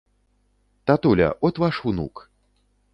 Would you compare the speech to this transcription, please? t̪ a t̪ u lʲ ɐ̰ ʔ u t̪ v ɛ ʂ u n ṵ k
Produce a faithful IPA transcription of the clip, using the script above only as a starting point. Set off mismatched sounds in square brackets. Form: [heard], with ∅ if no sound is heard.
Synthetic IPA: t̪ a t̪ u lʲ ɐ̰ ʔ [ɔ] t̪ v [a] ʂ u n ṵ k

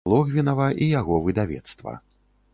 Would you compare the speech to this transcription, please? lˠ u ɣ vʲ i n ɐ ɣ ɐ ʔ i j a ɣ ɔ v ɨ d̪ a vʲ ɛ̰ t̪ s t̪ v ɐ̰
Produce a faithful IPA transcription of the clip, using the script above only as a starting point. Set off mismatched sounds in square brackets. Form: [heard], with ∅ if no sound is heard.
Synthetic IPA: lˠ [ɔ] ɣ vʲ i n ɐ [v] ɐ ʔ i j a ɣ ɔ v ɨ d̪ a vʲ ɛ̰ t̪ s t̪ v ɐ̰

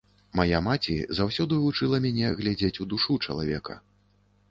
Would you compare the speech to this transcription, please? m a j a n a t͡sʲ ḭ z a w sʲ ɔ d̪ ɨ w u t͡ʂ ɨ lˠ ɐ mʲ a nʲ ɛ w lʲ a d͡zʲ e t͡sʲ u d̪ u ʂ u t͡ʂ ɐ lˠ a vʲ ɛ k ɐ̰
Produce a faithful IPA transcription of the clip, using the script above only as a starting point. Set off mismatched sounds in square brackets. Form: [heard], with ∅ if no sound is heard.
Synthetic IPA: m a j a [m] a t͡sʲ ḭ z a w sʲ ɔ d̪ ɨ [v] u t͡ʂ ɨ lˠ ɐ mʲ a nʲ ɛ [ɣ] lʲ a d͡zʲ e t͡sʲ u d̪ u ʂ u t͡ʂ ɐ lˠ a vʲ ɛ k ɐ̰

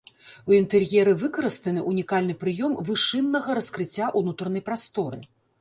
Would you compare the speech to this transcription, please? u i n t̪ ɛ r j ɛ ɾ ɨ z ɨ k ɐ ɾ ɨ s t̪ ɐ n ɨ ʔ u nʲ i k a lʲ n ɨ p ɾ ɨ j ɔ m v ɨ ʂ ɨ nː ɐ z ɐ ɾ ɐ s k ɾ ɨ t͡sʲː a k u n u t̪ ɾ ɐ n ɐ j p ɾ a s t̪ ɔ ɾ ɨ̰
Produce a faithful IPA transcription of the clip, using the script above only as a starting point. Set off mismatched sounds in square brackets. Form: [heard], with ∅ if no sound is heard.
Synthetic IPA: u i n t̪ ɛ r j ɛ ɾ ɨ [v] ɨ k ɐ ɾ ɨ s t̪ ɐ n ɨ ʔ u nʲ i k a lʲ n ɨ p ɾ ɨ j ɔ m v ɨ ʂ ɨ nː ɐ [ɣ] ɐ ɾ ɐ s k ɾ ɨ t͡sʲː a [ʔ] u n u t̪ ɾ ɐ n ɐ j p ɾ a s t̪ ɔ ɾ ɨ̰

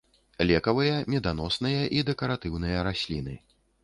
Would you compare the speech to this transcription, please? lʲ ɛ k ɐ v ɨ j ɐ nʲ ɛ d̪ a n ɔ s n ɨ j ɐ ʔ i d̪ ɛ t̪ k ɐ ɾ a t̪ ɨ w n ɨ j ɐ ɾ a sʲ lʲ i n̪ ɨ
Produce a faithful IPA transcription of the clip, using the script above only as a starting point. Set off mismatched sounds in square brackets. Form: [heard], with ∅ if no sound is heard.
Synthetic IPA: lʲ ɛ k ɐ v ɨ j ɐ [mʲ] ɛ d̪ a n ɔ s n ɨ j ɐ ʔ i d̪ ɛ [∅] k ɐ ɾ a t̪ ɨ w n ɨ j ɐ ɾ a sʲ lʲ i n̪ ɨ

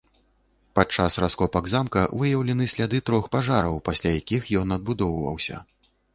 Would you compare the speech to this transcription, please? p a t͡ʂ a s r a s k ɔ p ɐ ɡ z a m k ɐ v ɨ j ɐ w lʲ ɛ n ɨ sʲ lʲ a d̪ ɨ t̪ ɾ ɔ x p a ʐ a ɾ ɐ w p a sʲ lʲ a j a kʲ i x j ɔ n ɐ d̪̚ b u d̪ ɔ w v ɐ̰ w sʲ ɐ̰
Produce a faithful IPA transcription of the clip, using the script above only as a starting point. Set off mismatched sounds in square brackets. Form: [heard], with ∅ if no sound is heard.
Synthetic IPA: p a t͡ʂ a s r a s k ɔ p ɐ ɡ z a m k ɐ v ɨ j ɐ w lʲ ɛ n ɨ sʲ lʲ a d̪ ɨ t̪ ɾ ɔ x p a ʐ a ɾ ɐ w p a sʲ lʲ a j a kʲ i x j ɔ n ɐ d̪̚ b u d̪ ɔ w v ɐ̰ w sʲ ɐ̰

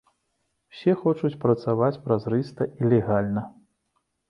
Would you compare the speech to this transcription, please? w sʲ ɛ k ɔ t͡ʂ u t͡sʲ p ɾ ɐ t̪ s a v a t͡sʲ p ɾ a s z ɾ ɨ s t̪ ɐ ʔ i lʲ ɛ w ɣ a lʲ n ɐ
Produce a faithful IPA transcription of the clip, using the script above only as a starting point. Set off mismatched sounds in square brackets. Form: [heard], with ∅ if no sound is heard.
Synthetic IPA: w sʲ ɛ [x] ɔ t͡ʂ u t͡sʲ p ɾ ɐ t̪ s a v a t͡sʲ p ɾ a [∅] z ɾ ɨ s t̪ ɐ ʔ i lʲ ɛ [∅] ɣ a lʲ n ɐ

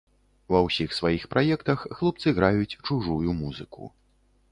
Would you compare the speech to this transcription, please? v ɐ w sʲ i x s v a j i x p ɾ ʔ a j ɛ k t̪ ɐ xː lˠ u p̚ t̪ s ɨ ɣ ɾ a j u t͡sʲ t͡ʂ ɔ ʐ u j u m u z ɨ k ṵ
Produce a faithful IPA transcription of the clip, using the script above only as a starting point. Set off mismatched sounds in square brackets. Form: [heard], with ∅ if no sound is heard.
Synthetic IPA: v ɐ w sʲ i x s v a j i x p ɾ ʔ a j ɛ k t̪ ɐ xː lˠ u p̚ t̪ s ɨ ɣ ɾ a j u t͡sʲ t͡ʂ [u] ʐ u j u m u z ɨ k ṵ

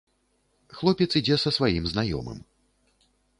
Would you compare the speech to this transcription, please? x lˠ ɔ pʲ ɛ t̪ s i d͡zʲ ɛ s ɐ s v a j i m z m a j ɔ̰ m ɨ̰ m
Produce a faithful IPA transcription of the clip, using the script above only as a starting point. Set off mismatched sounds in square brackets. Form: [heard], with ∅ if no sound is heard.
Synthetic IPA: x lˠ ɔ pʲ ɛ t̪ s i d͡zʲ ɛ s ɐ s v a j i m z [n] a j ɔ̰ m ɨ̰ m

